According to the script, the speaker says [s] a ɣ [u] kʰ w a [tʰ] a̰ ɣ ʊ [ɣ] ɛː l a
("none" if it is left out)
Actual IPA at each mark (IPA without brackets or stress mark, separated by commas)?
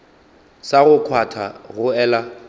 s, ʊ, tʰ, none